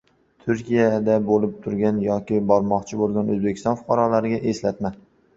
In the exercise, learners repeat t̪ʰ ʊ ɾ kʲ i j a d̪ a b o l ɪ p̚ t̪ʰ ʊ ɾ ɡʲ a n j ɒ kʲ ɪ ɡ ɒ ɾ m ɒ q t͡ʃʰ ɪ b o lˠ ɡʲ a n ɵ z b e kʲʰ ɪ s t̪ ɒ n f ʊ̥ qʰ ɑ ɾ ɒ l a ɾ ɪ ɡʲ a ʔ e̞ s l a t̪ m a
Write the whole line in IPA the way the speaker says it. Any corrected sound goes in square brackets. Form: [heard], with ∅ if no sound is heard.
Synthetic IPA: t̪ʰ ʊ ɾ kʲ i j a d̪ a b o l ɪ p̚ t̪ʰ ʊ ɾ ɡʲ a n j ɒ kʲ ɪ [b] ɒ ɾ m ɒ q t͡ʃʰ ɪ b o lˠ ɡʲ a n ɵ z b e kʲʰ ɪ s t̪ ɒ n f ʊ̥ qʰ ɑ ɾ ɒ l a ɾ ɪ ɡʲ a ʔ e̞ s l a t̪ m a